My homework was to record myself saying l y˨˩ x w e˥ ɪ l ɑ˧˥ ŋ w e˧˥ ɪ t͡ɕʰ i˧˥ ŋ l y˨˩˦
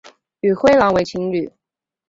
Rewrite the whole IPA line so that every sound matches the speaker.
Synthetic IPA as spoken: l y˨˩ x w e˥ ɪ l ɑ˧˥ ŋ w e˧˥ ɪ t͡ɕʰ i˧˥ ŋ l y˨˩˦